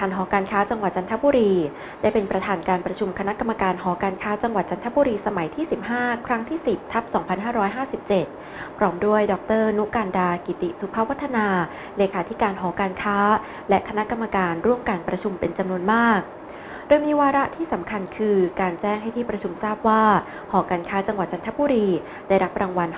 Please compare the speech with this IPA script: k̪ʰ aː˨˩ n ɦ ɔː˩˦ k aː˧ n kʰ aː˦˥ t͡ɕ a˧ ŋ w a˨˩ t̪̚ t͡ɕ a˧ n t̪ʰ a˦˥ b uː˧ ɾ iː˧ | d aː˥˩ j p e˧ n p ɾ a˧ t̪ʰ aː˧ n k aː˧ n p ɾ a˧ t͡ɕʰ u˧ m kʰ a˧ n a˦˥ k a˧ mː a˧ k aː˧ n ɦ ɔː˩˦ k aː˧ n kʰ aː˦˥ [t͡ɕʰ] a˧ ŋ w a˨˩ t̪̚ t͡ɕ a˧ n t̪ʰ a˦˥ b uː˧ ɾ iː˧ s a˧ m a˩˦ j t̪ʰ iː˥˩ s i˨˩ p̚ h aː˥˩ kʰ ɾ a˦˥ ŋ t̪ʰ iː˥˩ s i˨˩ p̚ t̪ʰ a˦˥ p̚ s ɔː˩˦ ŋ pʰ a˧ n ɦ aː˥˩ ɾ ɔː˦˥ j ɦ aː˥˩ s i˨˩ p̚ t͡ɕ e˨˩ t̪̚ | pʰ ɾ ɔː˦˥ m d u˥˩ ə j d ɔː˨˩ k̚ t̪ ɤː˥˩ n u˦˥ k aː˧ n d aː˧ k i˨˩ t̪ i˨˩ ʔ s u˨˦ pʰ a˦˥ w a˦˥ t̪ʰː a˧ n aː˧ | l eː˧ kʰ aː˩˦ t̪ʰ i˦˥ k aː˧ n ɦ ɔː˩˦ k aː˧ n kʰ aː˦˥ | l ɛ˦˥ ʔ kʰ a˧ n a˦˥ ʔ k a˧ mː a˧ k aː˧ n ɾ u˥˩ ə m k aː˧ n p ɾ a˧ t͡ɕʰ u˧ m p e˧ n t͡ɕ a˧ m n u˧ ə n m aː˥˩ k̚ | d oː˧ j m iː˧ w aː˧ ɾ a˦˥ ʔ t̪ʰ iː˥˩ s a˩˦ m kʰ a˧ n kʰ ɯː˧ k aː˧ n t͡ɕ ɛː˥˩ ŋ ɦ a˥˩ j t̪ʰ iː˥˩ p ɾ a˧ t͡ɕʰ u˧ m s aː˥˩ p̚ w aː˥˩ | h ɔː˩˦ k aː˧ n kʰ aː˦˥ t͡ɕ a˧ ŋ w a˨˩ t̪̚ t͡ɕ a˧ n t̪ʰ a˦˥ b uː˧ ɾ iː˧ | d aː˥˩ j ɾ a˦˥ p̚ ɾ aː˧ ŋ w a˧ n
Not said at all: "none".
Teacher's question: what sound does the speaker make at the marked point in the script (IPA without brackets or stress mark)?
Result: t͡ɕ